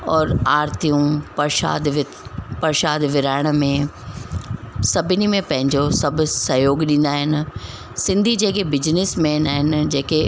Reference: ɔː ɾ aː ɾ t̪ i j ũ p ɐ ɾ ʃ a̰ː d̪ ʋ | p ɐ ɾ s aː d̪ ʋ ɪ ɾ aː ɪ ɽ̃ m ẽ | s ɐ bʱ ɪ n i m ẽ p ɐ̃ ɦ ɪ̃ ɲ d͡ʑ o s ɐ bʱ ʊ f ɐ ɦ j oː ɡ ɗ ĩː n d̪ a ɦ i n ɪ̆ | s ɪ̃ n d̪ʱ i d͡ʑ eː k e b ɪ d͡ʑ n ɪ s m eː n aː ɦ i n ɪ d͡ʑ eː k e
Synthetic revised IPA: ɔː ɾ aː ɾ t̪ i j ũ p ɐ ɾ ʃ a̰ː d̪ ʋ | p ɐ ɾ ʃ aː d̪ ʋ ɪ ɾ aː ɪ ɽ̃ m ẽ | s ɐ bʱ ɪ n i m ẽ p ɐ̃ ɦ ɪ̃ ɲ d͡ʑ o s ɐ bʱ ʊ s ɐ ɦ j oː ɡ ɗ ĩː n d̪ a ɦ ɪ n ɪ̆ | s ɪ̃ n d̪ʱ i d͡ʑ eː k e b ɪ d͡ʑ n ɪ s m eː n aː ɦ ɪ n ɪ d͡ʑ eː k e